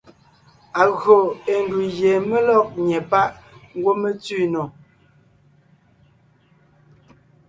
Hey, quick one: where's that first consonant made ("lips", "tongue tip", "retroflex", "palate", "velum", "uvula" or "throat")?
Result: velum